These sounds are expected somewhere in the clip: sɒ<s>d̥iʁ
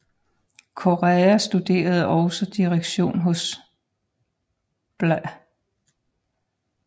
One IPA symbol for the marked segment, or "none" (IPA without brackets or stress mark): none